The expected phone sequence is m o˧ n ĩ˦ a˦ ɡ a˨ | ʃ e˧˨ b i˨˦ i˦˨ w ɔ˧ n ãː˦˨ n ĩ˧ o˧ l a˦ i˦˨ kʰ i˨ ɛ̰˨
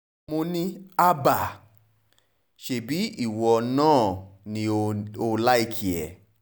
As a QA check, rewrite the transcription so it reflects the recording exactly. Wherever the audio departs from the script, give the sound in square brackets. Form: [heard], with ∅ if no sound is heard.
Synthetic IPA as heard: m o˧ n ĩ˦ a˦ [b] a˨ | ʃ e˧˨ b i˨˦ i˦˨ w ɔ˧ n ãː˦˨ n ĩ˧ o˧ l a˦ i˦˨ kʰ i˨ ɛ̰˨